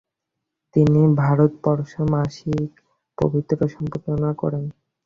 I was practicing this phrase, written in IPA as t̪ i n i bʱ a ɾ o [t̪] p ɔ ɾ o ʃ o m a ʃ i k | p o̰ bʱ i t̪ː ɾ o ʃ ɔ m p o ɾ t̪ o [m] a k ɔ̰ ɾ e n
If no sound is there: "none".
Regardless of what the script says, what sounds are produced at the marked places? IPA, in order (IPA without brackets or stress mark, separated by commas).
t̪, n